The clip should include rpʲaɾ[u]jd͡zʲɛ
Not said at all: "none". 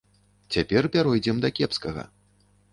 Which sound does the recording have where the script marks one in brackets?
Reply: ɔ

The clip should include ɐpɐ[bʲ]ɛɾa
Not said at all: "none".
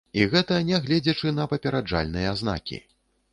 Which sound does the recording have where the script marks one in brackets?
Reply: pʲ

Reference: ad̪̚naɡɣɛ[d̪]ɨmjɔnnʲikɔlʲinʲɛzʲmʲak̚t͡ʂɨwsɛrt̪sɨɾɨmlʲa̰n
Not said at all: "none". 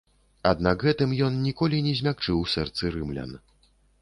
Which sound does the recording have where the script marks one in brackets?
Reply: t̪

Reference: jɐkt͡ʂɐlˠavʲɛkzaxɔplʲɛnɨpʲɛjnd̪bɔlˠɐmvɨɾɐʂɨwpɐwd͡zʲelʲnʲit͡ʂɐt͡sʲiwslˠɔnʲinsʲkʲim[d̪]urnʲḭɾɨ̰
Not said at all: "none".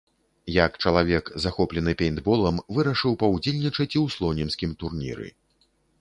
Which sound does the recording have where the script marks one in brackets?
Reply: t̪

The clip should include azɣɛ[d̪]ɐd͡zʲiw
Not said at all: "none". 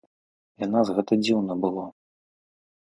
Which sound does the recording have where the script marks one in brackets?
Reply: t̪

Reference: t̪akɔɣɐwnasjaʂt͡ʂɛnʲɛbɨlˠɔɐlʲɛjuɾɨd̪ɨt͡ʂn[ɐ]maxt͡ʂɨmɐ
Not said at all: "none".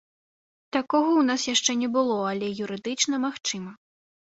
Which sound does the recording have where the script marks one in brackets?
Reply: ɐ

